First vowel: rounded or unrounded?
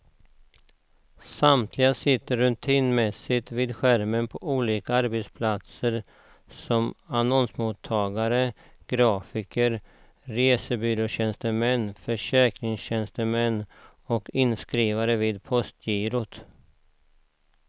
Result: unrounded